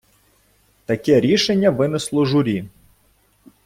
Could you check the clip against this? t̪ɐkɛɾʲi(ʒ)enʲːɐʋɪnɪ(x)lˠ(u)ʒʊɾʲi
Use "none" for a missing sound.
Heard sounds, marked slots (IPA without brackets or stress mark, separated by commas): ʃ, s, ɔ